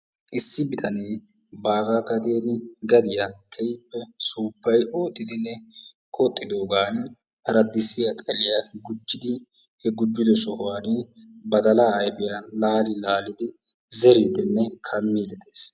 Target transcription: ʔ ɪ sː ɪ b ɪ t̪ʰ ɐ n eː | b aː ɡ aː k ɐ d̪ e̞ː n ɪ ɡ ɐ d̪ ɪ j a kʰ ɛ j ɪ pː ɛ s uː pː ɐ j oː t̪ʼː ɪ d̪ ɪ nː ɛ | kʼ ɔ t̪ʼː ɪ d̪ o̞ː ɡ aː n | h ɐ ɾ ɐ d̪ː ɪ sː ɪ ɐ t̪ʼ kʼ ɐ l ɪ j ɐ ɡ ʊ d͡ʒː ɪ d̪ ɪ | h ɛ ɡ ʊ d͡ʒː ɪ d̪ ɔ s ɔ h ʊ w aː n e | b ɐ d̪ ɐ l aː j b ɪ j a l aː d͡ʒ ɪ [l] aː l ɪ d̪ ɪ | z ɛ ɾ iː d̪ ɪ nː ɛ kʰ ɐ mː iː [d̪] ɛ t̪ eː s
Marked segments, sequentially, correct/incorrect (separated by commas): correct, correct